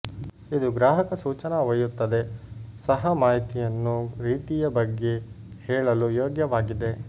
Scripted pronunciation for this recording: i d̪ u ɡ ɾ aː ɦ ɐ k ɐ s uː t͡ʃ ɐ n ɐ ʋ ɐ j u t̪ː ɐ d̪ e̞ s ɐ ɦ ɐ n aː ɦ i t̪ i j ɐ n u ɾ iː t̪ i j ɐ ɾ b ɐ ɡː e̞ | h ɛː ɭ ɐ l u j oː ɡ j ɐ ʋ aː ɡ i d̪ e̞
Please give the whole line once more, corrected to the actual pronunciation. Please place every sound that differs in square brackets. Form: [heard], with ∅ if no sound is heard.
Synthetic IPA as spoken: i d̪ u ɡ ɾ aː ɦ ɐ k ɐ s uː t͡ʃ ɐ n ɐ ʋ ɐ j u t̪ː ɐ d̪ e̞ s ɐ ɦ ɐ [m] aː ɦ i t̪ i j ɐ [nː] u ɾ iː t̪ i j ɐ [∅] b ɐ ɡː e̞ | h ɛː ɭ ɐ l u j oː ɡ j ɐ ʋ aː ɡ i d̪ e̞